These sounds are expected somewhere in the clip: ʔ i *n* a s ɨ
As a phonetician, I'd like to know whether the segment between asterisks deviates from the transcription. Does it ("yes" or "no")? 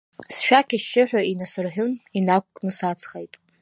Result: no